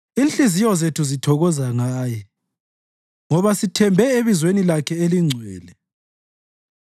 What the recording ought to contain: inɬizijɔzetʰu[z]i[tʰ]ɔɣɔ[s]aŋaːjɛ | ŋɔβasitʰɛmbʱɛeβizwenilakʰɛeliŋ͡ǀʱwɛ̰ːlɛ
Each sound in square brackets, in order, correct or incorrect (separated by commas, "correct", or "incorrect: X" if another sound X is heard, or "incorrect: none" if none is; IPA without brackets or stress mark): correct, correct, incorrect: z